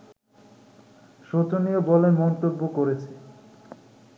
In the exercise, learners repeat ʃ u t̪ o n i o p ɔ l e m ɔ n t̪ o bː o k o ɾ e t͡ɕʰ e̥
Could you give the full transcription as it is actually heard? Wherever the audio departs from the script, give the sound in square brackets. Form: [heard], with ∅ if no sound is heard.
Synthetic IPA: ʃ [o] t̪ o n i o [b] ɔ l e m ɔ n t̪ o bː o k o ɾ e t͡ɕʰ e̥